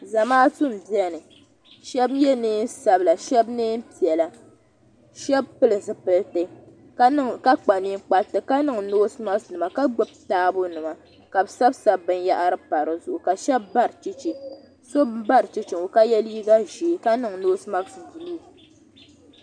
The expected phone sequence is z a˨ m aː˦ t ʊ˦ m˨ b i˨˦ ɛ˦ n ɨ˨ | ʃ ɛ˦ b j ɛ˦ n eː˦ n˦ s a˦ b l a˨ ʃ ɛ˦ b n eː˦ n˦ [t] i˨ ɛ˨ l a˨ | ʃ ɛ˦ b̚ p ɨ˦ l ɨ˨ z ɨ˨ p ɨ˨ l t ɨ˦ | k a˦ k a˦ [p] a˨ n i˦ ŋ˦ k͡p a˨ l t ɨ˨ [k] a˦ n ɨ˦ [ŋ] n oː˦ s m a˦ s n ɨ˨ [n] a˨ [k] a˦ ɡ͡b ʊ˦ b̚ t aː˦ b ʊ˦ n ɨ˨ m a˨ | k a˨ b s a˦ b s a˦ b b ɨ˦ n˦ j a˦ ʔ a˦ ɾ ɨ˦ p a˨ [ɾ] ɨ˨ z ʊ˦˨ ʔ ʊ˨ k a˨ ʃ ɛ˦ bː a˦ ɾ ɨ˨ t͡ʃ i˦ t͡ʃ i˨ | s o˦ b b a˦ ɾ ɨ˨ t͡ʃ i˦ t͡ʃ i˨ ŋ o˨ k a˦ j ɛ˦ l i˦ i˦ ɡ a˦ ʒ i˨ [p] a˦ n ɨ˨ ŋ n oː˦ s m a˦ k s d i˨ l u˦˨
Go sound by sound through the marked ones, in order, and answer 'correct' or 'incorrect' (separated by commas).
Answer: incorrect, incorrect, correct, correct, incorrect, correct, correct, incorrect